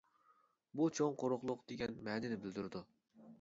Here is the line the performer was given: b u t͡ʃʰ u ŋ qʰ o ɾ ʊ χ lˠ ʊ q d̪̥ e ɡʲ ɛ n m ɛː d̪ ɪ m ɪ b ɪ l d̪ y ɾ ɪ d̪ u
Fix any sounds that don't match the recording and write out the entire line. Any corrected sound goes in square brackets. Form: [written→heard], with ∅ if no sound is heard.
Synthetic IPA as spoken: b u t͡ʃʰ [u→o] ŋ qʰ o ɾ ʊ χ lˠ ʊ q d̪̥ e ɡʲ ɛ n m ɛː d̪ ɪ [m→n] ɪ b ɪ l d̪ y ɾ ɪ d̪ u

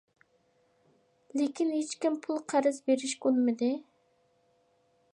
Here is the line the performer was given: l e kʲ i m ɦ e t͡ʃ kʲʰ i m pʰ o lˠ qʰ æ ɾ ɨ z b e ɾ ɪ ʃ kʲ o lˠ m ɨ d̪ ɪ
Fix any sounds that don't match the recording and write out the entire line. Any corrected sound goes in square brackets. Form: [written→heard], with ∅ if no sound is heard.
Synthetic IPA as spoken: l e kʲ i [m→n] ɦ e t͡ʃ [kʲʰ→kʲ] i m pʰ [o→u] lˠ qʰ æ ɾ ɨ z b e ɾ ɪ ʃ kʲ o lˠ m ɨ d̪ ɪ

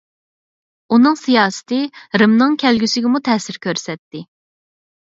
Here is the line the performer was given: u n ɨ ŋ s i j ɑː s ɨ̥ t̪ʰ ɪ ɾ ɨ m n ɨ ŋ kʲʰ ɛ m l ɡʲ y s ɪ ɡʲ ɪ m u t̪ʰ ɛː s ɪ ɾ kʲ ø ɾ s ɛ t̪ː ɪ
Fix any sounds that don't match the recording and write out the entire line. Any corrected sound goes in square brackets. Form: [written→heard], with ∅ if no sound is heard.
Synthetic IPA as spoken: u n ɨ ŋ s i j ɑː s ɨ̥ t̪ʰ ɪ ɾ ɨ m n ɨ ŋ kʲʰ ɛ [m→∅] l ɡʲ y s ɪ ɡʲ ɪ m u t̪ʰ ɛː s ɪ ɾ kʲ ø ɾ s ɛ t̪ː ɪ

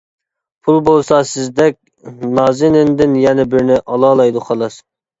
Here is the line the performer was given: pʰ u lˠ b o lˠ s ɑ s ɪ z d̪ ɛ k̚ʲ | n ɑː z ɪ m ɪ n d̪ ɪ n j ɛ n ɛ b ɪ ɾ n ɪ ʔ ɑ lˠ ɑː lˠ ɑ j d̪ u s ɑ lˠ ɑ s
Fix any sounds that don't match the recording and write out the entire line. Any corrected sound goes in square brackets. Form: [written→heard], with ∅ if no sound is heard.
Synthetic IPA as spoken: pʰ u lˠ b o lˠ s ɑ s ɪ z d̪ ɛ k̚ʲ | n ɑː z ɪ [m→n] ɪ n d̪ ɪ n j ɛ n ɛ b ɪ ɾ n ɪ ʔ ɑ lˠ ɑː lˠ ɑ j d̪ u [s→χ] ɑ lˠ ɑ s

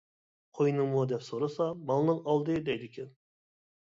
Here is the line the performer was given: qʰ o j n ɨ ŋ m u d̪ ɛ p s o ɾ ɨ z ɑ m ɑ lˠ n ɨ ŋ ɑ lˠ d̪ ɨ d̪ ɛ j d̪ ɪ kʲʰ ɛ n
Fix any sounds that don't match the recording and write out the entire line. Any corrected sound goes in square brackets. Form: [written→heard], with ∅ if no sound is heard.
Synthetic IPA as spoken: qʰ o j n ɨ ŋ m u d̪ ɛ p s o ɾ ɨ [z→s] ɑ m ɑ lˠ n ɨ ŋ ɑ lˠ d̪ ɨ d̪ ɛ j d̪ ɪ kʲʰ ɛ n

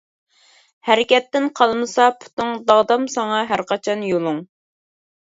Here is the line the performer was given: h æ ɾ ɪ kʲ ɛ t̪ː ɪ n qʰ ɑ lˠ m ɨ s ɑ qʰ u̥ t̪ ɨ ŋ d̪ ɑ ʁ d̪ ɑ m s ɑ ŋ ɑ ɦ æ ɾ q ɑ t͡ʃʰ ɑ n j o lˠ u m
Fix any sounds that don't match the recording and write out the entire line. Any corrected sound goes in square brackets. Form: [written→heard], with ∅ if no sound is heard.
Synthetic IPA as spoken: h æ ɾ ɪ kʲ ɛ t̪ː ɪ n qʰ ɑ lˠ m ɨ s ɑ [qʰ→pʰ] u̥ t̪ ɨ ŋ d̪ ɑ ʁ d̪ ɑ m s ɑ ŋ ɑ ɦ æ ɾ q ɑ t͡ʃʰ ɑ n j o lˠ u [m→ŋ]

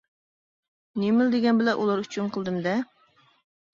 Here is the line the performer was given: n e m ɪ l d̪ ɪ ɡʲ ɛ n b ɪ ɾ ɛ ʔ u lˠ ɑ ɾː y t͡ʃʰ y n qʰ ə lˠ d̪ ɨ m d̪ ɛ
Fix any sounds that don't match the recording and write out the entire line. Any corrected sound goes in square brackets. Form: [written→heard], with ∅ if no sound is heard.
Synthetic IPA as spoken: n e m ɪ l d̪ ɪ ɡʲ ɛ n b ɪ [ɾ→l] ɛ ʔ u lˠ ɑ [ɾː→ɾ] y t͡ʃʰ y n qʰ ə lˠ d̪ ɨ m d̪ ɛ

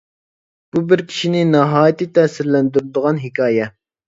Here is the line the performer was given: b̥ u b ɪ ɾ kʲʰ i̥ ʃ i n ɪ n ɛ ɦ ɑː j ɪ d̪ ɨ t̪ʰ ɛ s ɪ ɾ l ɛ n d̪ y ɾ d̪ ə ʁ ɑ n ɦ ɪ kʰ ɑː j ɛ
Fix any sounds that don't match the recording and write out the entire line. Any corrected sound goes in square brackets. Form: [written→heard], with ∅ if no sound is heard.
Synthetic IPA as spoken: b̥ u b ɪ ɾ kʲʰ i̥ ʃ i n ɪ n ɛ ɦ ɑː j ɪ [d̪→t̪] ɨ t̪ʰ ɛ s ɪ ɾ l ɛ n d̪ y ɾ d̪ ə ʁ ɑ n ɦ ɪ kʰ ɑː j ɛ

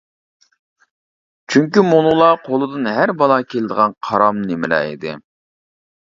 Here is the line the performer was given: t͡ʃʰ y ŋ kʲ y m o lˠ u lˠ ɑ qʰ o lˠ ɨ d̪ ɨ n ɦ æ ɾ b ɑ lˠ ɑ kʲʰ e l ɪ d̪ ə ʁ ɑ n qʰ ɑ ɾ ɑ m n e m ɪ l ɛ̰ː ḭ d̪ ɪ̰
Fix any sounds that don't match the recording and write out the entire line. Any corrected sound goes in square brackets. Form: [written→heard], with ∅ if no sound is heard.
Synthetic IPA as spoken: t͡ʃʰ y ŋ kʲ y m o lˠ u lˠ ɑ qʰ o lˠ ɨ d̪ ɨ n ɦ æ ɾ b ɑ lˠ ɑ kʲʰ e l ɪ d̪ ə ʁ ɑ n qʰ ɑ ɾ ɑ m n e m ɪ l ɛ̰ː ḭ d̪ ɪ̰

